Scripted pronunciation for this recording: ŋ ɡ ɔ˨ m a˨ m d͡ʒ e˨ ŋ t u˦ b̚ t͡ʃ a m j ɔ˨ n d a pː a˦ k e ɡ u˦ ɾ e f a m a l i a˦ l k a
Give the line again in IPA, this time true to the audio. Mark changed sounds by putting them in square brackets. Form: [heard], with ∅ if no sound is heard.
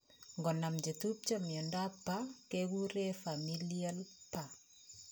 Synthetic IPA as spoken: ŋ ɡ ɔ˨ [n] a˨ m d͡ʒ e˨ [∅] t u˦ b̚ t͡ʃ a m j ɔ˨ n d a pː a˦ k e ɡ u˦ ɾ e f a m [i] l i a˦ l [p] a